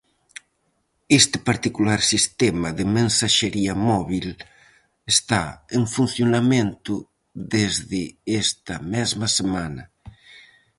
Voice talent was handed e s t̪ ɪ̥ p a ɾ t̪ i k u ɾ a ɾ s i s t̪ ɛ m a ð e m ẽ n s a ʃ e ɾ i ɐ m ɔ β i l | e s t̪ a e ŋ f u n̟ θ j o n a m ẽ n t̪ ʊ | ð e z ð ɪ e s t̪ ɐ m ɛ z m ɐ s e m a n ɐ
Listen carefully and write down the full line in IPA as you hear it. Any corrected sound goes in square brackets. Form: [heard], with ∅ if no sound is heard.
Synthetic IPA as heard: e s t̪ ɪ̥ p a ɾ t̪ i k u [l] a ɾ s i s t̪ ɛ m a ð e m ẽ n s a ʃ e ɾ i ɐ m ɔ β i l | e s t̪ a e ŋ f u n̟ θ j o n a m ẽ n t̪ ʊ | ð e z ð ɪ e s t̪ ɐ m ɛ z m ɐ s e m a n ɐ